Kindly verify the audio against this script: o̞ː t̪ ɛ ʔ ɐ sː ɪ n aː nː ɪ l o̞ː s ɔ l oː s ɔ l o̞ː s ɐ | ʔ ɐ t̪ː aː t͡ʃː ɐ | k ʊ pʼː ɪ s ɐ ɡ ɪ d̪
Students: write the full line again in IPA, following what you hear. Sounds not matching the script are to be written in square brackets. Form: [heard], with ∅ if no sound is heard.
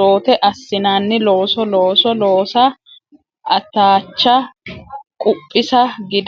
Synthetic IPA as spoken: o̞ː t̪ ɛ ʔ ɐ sː ɪ n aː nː ɪ l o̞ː s ɔ l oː s ɔ l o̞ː s ɐ | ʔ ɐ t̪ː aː t͡ʃː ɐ | [kʼ] ʊ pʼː ɪ s ɐ ɡ ɪ d̪

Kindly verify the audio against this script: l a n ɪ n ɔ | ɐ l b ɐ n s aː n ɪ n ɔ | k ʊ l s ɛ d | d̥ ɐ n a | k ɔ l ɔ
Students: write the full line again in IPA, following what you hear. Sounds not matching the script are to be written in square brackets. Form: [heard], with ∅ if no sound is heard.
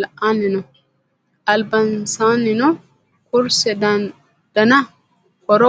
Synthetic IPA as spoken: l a n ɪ n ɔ | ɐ l b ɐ n s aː n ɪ n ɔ | k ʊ [ɾ] s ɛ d | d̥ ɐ n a | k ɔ [ɾ] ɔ

